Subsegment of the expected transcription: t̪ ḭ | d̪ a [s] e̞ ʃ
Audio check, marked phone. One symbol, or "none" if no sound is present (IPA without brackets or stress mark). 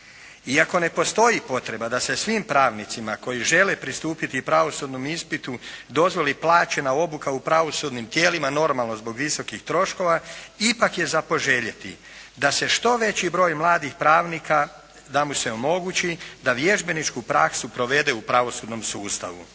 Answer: s